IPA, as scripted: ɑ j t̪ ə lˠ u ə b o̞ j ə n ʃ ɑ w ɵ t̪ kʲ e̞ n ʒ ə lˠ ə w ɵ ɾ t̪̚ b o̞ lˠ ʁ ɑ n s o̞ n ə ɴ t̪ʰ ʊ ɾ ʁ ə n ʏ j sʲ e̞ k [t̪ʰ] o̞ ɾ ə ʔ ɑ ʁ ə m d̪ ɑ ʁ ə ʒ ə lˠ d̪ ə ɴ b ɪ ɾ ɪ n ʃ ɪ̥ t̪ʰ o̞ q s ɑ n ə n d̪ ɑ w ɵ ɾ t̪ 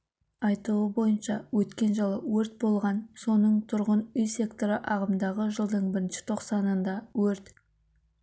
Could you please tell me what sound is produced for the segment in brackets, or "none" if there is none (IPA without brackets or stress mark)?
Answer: t̪